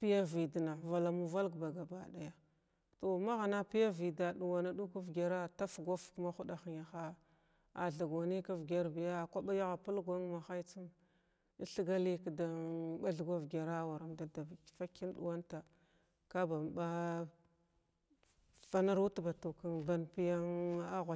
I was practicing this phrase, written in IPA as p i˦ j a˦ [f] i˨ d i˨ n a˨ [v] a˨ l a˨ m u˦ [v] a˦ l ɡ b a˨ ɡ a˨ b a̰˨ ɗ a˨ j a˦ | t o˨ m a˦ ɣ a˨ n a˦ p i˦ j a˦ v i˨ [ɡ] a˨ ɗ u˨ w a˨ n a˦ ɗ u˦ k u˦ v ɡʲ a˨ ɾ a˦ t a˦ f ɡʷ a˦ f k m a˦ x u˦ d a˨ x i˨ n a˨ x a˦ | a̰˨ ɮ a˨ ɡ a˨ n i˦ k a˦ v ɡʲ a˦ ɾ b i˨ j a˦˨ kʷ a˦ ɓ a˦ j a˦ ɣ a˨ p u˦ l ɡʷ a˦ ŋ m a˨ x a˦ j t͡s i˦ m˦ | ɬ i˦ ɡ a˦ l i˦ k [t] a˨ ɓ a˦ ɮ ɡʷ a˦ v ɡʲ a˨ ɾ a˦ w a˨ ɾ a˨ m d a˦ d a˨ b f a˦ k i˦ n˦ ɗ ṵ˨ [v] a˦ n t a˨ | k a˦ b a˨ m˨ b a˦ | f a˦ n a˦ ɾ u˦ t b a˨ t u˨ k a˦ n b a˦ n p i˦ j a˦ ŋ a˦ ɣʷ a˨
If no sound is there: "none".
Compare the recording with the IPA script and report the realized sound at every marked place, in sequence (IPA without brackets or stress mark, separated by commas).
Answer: v, v, v, d, d, w